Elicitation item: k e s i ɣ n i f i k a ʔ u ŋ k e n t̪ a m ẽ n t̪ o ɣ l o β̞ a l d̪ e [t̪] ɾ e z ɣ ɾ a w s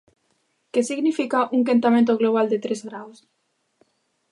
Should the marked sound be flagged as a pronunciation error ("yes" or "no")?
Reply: no